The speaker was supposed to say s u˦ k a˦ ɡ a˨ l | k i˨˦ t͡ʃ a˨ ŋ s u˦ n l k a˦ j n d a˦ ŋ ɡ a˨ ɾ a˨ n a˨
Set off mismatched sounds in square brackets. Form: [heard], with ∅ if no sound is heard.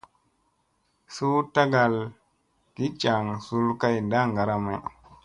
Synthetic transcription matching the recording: s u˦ [t] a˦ ɡ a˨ l | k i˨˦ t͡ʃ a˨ ŋ s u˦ [∅] l k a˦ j n d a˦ ŋ ɡ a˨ ɾ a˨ [m] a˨